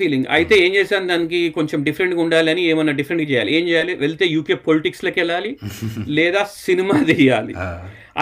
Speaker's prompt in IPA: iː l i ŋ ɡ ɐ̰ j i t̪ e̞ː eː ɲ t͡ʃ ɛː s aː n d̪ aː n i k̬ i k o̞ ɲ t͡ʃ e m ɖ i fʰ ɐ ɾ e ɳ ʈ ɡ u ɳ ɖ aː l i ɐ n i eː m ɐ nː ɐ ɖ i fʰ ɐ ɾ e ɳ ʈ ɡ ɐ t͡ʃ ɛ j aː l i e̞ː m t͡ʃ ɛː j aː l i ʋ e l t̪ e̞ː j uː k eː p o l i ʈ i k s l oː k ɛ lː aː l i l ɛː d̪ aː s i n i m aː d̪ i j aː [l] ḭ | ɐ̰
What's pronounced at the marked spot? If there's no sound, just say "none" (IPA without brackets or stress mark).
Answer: l